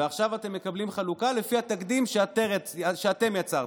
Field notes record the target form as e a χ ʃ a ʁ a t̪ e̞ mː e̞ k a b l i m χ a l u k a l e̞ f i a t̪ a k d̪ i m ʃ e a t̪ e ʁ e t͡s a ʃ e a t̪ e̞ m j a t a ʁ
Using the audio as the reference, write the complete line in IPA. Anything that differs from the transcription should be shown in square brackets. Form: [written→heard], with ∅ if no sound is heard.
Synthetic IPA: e a χ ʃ a [ʁ→v] a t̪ e̞ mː e̞ k a b l i m χ a l u k a l e̞ f i a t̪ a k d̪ i m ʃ e a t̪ e ʁ e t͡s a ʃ e a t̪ e̞ m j a [t→t͡s] a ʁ